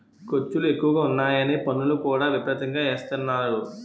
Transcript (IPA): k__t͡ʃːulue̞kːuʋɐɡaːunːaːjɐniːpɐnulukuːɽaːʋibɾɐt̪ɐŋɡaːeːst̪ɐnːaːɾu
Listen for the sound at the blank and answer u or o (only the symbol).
o